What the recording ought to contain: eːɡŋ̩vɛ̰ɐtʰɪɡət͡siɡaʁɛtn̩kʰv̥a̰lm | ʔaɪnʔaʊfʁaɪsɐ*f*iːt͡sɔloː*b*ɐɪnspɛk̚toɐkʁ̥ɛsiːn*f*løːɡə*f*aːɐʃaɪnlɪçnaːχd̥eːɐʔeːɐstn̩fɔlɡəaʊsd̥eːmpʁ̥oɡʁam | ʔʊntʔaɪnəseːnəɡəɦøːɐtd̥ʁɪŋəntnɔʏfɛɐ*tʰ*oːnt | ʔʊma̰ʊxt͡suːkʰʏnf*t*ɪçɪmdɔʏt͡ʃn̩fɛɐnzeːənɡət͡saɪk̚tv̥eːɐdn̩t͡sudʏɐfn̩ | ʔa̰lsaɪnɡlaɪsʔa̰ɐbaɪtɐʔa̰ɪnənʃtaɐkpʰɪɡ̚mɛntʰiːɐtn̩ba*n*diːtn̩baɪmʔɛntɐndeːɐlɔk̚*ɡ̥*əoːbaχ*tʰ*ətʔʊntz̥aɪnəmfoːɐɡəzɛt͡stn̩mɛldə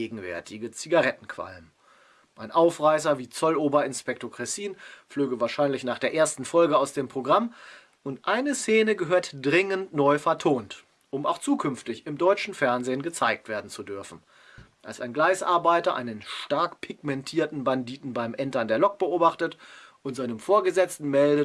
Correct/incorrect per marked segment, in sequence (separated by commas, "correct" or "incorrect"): incorrect, correct, correct, incorrect, correct, correct, correct, incorrect, incorrect